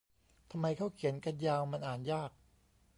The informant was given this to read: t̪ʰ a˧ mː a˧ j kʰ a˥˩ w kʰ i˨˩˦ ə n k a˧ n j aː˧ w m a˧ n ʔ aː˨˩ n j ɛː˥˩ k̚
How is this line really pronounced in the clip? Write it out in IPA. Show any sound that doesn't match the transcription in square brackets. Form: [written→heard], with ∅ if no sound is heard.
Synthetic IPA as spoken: t̪ʰ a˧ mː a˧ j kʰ a˥˩ w kʰ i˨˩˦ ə n k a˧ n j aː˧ w m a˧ n ʔ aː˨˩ n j [ɛː˥˩→aː˥˩] k̚